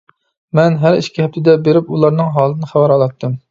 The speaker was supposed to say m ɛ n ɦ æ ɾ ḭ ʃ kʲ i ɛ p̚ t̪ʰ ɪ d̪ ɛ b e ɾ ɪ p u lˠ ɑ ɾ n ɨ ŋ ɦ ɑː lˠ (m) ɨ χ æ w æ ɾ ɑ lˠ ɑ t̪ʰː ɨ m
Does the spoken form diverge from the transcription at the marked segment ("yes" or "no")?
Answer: yes